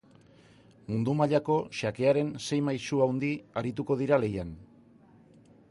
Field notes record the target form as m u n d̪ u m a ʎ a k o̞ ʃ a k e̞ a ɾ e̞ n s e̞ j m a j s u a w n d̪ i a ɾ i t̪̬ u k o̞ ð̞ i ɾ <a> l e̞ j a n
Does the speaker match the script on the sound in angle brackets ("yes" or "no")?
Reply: yes